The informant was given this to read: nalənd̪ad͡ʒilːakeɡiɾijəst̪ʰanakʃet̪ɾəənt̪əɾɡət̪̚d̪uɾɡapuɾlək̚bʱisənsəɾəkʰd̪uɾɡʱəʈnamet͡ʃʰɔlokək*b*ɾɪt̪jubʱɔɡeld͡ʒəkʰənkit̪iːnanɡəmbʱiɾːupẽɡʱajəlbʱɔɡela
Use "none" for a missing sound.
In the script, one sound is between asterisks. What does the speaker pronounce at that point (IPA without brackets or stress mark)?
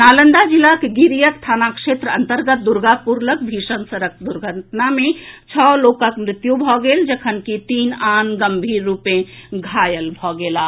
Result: m